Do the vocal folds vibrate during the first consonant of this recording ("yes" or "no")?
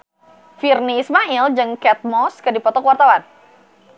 no